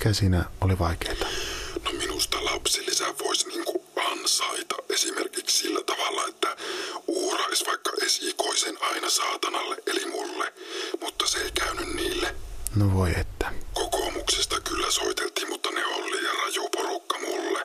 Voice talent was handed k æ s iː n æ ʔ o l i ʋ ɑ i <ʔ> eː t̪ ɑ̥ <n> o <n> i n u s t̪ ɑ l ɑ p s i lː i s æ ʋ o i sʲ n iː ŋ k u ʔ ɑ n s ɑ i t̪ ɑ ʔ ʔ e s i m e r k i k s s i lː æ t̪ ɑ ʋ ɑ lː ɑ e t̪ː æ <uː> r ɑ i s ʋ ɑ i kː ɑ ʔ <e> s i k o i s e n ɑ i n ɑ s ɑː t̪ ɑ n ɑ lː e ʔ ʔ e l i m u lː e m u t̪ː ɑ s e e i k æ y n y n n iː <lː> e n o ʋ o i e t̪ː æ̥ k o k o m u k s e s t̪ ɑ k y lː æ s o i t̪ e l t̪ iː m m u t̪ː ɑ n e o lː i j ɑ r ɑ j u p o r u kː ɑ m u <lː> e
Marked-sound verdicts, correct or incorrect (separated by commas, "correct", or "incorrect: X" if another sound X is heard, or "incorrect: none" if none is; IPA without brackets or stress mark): incorrect: k, correct, incorrect: m, correct, correct, correct, correct